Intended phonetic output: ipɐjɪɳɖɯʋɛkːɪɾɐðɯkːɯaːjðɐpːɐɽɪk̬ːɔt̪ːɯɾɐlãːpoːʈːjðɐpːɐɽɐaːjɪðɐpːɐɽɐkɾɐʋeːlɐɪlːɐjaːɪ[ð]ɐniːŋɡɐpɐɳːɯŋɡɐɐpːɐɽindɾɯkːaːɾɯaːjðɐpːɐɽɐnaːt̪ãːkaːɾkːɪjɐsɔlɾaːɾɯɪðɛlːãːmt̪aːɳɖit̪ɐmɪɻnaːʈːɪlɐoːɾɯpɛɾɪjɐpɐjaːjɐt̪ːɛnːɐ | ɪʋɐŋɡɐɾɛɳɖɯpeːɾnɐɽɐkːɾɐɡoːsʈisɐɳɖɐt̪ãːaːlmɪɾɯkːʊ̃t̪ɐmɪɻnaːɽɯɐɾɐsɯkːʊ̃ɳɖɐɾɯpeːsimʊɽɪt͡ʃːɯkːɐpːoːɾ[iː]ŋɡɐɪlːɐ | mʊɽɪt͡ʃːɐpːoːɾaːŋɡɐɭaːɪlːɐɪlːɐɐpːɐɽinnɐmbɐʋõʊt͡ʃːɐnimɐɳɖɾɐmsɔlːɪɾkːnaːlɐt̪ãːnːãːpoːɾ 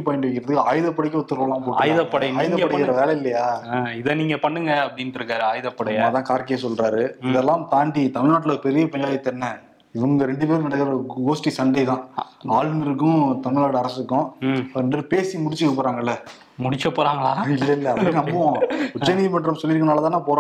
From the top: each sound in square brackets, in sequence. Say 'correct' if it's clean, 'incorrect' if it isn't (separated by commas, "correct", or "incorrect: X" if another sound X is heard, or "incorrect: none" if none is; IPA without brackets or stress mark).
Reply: correct, incorrect: aː